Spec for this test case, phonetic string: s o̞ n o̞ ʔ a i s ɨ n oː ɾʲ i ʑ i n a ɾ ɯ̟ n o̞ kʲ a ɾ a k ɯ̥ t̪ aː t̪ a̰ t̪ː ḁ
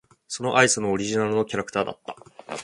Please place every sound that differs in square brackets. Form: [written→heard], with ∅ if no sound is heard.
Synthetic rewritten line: s o̞ n o̞ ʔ a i s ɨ n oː ɾʲ i ʑ i n a ɾ ɯ̟ n o̞ kʲ a ɾ a k ɯ̥ t̪ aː [t̪→d̪] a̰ t̪ː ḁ